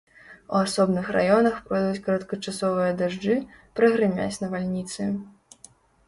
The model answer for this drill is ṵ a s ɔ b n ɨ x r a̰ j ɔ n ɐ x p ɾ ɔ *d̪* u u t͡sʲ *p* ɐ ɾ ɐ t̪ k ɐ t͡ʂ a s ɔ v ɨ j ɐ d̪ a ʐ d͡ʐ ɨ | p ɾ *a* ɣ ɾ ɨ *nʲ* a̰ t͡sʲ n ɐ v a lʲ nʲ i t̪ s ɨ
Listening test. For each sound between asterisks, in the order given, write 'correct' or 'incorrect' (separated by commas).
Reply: correct, incorrect, incorrect, incorrect